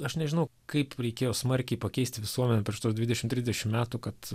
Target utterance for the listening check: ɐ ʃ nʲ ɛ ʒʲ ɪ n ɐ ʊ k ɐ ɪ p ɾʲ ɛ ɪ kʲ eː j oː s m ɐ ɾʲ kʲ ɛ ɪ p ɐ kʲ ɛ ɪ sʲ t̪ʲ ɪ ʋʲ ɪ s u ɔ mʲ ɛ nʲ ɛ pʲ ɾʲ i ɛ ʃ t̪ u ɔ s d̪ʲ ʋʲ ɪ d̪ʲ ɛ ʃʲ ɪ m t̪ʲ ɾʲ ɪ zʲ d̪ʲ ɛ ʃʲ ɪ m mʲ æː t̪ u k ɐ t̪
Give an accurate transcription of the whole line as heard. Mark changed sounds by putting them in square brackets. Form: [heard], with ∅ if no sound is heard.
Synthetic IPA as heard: ɐ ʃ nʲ ɛ ʒʲ ɪ n ɐ ʊ k ɐ ɪ p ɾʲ ɛ ɪ kʲ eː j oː s m ɐ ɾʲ kʲ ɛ ɪ p ɐ kʲ ɛ ɪ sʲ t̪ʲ ɪ ʋʲ ɪ s u ɔ mʲ ɛ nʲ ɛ pʲ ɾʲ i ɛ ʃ t̪ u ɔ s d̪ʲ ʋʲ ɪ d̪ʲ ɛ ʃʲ ɪ m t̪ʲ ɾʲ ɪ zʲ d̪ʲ ɛ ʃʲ ɪ m mʲ æː t̪ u k ɐ t̪